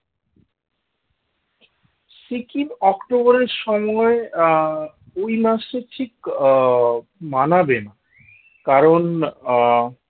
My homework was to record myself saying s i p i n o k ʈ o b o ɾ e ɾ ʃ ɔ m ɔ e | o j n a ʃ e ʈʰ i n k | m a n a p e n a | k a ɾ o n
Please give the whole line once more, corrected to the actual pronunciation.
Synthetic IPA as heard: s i k i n ɔ k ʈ o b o ɾ e ɾ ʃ ɔ m ɔ e | o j m a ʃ e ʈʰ i k | m a n a b e n a | k a ɾ o n